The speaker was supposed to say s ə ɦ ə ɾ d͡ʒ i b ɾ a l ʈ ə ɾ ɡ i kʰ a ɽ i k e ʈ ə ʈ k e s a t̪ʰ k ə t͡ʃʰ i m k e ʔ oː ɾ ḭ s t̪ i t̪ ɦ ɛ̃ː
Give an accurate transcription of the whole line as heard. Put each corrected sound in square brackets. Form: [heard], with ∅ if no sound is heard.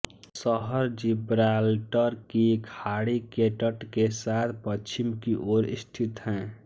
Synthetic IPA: s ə ɦ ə ɾ d͡ʒ i b ɾ a l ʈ ə ɾ [k] i kʰ a ɽ i k e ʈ ə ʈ k e s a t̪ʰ [p] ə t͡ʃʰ i m k [i] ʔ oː ɾ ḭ s [t̪ʰ] i t̪ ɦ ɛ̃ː